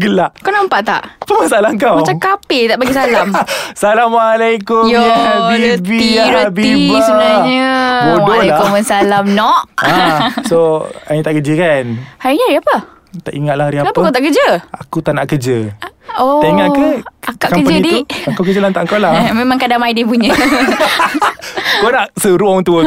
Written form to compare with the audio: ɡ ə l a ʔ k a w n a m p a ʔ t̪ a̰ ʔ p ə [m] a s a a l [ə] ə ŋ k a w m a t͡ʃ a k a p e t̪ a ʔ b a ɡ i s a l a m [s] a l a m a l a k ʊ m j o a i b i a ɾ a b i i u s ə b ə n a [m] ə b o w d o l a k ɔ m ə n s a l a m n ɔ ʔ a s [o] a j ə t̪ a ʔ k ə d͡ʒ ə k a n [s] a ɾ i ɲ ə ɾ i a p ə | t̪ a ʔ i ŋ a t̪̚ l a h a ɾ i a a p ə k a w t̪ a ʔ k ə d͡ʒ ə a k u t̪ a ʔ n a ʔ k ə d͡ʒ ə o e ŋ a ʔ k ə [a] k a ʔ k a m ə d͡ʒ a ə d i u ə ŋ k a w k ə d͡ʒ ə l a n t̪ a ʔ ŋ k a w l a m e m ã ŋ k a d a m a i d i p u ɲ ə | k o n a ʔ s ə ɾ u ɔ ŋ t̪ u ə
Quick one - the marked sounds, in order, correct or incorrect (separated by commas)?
correct, incorrect, correct, incorrect, correct, incorrect, correct